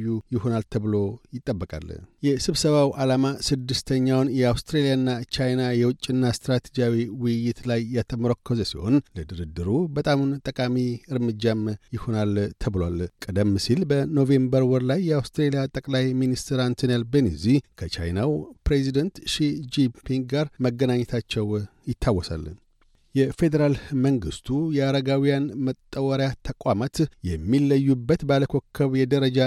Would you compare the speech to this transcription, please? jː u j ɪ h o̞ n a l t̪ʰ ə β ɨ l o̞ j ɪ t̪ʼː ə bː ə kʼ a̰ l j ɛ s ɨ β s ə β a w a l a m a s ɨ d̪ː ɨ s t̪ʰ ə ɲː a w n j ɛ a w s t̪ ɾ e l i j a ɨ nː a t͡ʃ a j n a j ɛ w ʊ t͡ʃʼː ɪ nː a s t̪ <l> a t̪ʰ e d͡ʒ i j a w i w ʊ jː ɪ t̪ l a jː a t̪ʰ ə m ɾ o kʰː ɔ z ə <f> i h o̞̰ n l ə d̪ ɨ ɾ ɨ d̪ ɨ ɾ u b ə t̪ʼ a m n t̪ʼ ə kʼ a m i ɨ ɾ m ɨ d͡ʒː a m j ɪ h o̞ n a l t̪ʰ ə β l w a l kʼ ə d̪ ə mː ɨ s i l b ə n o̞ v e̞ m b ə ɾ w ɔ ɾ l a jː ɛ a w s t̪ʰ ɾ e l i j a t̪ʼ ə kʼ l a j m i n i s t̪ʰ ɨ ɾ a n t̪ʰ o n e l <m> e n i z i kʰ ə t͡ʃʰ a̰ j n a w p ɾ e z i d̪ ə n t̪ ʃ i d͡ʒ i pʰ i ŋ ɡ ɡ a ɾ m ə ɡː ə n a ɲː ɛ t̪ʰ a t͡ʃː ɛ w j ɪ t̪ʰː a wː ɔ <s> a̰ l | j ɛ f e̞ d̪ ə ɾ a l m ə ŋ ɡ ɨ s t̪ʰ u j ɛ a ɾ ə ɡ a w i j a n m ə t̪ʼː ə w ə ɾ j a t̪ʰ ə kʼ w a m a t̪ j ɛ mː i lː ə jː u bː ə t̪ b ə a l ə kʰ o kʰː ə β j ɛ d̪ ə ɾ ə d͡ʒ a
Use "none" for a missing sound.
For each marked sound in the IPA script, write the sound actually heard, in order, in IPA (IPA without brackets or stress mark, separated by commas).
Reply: ɾ, s, b, s